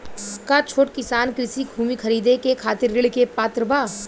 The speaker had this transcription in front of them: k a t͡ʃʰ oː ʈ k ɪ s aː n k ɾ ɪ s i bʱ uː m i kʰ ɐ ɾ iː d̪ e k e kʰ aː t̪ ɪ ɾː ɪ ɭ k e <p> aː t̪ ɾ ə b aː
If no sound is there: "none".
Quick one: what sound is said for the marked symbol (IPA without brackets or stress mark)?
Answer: p